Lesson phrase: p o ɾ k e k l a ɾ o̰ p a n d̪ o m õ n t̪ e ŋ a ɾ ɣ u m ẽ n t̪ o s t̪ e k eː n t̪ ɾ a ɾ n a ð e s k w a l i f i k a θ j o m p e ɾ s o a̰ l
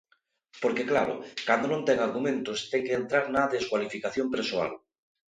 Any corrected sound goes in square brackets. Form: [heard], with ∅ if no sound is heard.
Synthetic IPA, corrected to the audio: p o ɾ k e k l a ɾ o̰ [k] a n d̪ o [n] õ n t̪ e ŋ a ɾ ɣ u m ẽ n t̪ o s t̪ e k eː n t̪ ɾ a ɾ n a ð e s k w a l i f i k a θ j o m p e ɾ s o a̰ l